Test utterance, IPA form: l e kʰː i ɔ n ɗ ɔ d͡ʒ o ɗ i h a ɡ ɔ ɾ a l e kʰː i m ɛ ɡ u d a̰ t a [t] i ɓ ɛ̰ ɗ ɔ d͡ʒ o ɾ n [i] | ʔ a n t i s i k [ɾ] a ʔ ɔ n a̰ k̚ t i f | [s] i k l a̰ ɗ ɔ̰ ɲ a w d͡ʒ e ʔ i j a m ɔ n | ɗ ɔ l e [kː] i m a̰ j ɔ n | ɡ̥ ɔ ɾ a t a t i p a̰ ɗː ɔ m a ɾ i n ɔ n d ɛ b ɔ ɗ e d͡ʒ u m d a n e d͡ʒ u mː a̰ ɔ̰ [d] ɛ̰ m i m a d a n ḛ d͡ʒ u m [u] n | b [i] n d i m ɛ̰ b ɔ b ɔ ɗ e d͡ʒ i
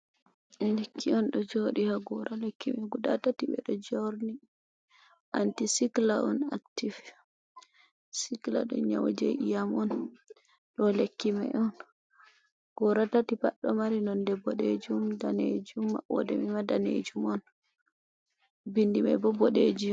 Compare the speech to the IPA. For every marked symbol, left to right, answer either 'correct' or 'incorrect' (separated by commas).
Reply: correct, correct, incorrect, correct, correct, correct, incorrect, correct